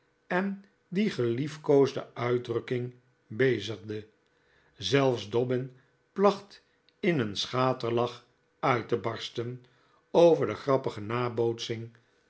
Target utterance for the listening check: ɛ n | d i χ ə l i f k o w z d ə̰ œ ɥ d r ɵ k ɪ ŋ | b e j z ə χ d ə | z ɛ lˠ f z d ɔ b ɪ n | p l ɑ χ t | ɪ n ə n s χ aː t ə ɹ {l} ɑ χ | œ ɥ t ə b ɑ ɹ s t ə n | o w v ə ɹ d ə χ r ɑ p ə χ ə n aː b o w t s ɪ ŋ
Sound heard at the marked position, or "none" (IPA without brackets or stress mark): l